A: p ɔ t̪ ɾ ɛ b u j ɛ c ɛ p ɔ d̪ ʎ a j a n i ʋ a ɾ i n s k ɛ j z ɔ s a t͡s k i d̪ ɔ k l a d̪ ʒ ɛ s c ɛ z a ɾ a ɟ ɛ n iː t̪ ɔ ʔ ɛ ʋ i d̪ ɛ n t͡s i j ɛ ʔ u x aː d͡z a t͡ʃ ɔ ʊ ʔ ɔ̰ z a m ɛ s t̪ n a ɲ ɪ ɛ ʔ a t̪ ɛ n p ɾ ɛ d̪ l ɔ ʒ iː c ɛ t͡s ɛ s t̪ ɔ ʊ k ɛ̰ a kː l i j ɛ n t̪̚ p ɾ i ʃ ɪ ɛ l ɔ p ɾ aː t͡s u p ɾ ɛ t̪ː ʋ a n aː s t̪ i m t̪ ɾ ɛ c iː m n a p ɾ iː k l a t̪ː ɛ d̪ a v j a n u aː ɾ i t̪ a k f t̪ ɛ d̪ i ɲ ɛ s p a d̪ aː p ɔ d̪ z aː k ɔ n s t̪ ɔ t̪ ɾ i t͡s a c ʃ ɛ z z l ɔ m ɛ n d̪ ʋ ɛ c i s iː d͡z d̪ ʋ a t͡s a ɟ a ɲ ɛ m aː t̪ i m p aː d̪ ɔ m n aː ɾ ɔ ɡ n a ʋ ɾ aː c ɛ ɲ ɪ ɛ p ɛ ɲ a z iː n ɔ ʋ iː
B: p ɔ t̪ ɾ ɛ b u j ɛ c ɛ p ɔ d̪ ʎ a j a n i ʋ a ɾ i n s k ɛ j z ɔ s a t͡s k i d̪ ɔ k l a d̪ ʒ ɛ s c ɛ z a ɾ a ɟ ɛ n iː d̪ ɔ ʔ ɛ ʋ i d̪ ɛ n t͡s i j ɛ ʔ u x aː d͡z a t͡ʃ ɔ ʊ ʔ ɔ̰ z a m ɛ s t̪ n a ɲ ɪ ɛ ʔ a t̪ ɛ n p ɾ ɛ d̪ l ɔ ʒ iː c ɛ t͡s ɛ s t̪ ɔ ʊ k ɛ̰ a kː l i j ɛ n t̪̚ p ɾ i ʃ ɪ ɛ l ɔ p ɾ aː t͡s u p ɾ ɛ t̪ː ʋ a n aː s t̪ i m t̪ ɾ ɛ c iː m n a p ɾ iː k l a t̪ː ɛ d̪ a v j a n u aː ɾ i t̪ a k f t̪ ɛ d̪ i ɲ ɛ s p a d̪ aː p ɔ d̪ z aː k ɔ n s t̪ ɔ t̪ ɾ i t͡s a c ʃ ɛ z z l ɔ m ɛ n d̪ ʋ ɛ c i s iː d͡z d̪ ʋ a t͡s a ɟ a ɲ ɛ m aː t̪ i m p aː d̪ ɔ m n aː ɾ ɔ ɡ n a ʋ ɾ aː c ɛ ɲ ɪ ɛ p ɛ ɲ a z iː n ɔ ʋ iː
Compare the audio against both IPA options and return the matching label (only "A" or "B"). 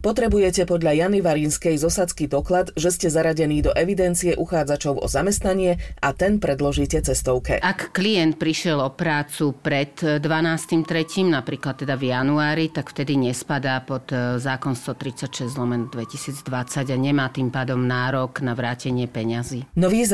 B